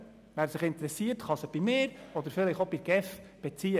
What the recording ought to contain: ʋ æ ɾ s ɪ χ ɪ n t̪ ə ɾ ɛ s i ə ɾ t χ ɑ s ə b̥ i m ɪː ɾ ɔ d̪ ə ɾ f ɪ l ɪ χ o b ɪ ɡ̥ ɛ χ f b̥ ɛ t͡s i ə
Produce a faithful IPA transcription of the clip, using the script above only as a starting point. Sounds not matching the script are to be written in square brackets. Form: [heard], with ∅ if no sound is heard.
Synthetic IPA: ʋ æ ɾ s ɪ χ ɪ n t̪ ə ɾ ɛ s i ə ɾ t χ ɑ s ə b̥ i m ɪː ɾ ɔ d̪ ə ɾ f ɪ l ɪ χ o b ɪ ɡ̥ ɛ [∅] f b̥ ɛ t͡s i ə